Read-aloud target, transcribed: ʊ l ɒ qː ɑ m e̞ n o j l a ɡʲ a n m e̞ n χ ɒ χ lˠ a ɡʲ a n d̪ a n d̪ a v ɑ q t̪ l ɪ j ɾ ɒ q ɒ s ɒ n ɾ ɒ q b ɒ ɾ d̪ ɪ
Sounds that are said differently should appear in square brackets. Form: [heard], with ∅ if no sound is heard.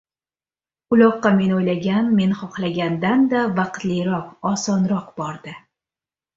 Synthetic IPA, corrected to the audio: ʊ l ɒ qː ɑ m e̞ n o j l a ɡʲ a n m e̞ n χ ɒ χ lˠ a ɡʲ a n d̪ a n d̪ a v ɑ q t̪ l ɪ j ɾ ɒ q ɒ s ɒ n ɾ ɒ q b ɒ ɾ d̪ ɪ